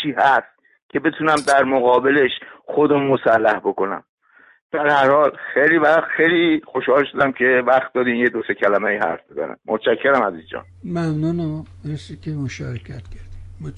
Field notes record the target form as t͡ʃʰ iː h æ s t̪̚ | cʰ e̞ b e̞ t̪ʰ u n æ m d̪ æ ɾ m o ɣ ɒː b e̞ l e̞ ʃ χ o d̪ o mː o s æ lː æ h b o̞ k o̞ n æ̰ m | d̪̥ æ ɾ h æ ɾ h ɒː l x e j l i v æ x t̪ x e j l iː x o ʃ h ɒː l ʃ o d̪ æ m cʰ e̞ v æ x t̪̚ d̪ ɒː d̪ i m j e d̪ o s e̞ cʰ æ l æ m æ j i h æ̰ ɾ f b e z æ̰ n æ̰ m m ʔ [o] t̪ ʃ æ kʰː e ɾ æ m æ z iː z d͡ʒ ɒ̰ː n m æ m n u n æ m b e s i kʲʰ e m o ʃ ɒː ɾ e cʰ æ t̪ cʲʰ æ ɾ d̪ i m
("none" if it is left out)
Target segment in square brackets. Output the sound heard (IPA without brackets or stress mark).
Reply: o